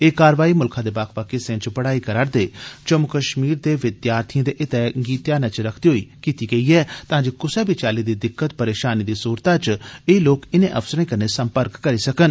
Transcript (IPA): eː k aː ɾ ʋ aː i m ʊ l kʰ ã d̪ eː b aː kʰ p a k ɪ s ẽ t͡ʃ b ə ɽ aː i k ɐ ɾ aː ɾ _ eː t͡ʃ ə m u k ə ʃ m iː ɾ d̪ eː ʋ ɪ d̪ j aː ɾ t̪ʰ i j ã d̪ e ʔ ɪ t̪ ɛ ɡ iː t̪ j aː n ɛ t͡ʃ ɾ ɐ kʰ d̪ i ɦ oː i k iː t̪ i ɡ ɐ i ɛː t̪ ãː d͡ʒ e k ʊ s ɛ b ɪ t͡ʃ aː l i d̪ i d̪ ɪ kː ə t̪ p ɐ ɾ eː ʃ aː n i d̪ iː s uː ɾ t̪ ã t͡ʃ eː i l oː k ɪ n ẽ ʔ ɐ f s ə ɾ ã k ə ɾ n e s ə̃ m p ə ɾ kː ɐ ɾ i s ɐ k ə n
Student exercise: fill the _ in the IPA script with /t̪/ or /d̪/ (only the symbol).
d̪